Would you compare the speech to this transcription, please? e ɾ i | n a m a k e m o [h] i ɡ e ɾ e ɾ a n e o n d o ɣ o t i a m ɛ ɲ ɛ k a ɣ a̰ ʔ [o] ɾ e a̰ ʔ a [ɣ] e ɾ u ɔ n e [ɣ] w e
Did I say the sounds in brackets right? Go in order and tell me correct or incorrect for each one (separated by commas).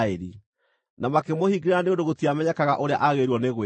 correct, correct, correct, correct